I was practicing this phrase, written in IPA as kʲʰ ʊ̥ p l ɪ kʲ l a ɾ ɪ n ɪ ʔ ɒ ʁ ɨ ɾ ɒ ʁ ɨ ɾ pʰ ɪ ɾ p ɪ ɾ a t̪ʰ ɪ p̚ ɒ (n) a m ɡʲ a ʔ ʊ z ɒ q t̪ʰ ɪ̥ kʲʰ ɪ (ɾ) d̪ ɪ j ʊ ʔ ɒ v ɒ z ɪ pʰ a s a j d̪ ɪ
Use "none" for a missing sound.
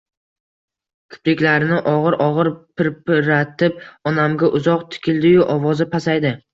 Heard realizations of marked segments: n, l

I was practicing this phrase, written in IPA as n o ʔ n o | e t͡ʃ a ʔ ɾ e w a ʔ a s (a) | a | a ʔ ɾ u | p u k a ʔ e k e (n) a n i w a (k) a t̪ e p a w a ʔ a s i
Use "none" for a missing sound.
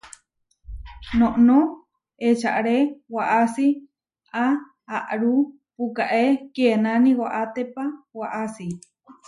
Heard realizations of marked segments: i, n, ʔ

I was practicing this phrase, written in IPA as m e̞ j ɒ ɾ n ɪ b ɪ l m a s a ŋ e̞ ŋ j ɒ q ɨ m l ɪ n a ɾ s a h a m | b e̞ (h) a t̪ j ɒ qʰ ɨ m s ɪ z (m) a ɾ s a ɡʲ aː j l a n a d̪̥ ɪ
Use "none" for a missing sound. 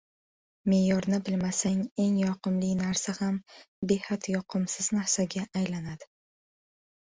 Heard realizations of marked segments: h, n

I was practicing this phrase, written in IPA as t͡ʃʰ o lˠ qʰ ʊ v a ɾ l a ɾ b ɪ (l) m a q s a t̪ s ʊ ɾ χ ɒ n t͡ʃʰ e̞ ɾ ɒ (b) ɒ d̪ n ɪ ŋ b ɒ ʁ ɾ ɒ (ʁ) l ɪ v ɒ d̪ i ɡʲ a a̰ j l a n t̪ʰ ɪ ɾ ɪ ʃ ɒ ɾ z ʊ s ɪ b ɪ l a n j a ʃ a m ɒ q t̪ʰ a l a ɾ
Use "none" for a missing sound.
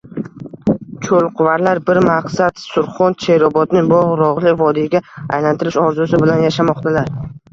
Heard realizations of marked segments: ɾ, b, ʁ

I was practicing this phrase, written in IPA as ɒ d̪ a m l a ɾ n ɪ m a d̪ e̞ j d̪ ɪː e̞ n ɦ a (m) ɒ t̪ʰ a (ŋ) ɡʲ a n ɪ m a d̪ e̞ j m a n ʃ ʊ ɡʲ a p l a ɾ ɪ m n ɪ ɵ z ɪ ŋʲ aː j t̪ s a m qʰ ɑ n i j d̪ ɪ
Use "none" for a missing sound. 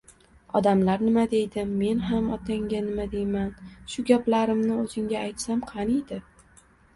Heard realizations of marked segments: m, ŋ

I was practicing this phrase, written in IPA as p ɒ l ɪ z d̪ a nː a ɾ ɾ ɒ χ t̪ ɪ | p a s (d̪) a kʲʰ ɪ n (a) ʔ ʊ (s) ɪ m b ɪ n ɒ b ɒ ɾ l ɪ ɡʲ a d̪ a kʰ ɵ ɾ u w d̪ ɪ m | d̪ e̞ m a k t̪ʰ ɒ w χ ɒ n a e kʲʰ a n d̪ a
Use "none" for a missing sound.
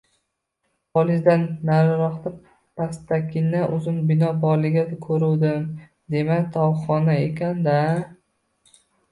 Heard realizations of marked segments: t̪, a, z

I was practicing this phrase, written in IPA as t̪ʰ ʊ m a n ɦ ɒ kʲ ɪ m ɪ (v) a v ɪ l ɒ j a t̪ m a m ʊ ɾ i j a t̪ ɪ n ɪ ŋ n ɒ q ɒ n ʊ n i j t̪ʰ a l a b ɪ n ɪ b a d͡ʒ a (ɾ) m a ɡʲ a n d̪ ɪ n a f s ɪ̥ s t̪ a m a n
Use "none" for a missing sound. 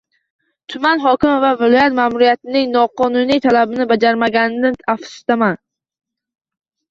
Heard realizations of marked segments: v, ɾ

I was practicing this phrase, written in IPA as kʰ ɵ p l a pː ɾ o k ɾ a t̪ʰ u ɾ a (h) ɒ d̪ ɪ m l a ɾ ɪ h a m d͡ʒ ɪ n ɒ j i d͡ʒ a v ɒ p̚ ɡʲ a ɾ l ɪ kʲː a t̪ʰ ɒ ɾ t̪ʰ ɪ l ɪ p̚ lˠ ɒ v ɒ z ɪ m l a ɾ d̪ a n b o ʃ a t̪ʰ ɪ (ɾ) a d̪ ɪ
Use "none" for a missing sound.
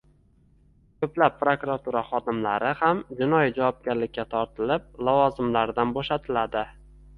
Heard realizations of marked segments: χ, l

